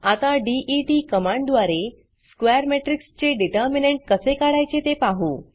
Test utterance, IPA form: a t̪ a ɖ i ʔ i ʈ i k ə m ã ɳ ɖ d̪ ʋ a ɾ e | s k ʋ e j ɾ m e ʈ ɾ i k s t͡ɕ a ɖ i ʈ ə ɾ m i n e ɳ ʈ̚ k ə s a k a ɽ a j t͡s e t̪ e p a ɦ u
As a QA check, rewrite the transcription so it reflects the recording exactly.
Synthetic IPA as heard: a t̪ a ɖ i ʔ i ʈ i k ə m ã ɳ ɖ d̪ ʋ a ɾ e | s k ʋ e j ɾ m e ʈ ɾ i k s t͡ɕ e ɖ i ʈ ə ɾ m i n e ɳ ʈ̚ k ə s e k a ɽ a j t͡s e t̪ e p a ɦ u

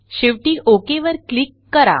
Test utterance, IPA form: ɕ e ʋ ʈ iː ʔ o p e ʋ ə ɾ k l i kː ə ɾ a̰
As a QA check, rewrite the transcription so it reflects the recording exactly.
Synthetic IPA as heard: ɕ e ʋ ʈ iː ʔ o k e ʋ ə ɾ k l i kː ə ɾ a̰

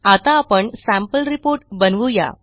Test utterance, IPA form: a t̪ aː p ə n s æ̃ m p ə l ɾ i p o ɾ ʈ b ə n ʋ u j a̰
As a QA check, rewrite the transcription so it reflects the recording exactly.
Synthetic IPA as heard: a t̪ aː p ə ɳ s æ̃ m p ə l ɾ i p o ɾ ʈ b ə n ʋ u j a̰

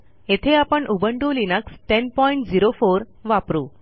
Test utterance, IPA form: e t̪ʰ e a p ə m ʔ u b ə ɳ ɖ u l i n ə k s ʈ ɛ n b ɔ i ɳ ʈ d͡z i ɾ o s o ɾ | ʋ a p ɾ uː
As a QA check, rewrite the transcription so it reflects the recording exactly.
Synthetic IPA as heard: e t̪ʰ e a p ə ɳ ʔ u b ə ɳ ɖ u l i n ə k s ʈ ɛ n p ɔ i ɳ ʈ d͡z i ɾ o f o ɾ | ʋ a p ɾ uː

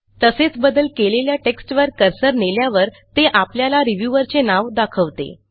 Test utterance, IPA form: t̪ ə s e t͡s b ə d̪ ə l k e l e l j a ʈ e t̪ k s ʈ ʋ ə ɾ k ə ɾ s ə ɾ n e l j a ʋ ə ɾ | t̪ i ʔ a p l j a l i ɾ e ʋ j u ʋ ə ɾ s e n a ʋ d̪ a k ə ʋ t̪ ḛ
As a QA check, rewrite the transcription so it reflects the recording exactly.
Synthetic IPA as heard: t̪ ə s e t͡s b ə d̪ ə l k e l e l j a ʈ e k s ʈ ʋ ə ɾ k ə ɾ s ə ɾ n e l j a ʋ ə ɾ | t̪ e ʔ a p l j a l a ɾ i ʋ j u ʋ ə ɾ t͡s e n a ʋ d̪ a kʰ ə ʋ t̪ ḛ

